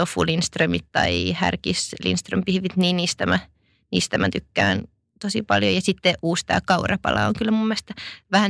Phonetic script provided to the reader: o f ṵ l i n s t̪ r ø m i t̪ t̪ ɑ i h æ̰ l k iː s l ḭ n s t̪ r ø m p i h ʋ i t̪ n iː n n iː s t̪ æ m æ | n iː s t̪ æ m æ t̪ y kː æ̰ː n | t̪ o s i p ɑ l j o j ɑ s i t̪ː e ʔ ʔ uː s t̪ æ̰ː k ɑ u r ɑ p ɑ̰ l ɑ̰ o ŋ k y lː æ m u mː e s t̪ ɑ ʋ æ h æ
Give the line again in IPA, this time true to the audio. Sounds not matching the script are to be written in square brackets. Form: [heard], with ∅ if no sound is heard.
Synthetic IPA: o f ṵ l i n s t̪ r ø m i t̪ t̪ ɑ i h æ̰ [r] k [i] s l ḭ n s t̪ r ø m p i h ʋ i t̪ n iː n n iː s t̪ æ m æ | n iː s t̪ æ m æ t̪ y kː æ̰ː n | t̪ o s i p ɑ l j o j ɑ s i t̪ː e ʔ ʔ uː s t̪ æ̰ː k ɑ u r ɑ p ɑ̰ l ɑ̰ o ŋ k y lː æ m u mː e s t̪ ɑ ʋ æ h æ